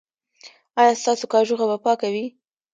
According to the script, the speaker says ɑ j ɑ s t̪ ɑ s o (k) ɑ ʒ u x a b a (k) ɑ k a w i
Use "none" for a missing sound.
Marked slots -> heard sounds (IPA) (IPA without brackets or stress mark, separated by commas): k, p